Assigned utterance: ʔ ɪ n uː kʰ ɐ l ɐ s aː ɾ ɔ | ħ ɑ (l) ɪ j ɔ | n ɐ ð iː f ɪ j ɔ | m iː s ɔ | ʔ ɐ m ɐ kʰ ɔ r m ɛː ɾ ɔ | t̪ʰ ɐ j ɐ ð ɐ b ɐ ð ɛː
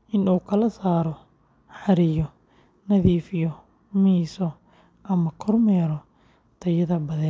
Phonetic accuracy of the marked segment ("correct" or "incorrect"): incorrect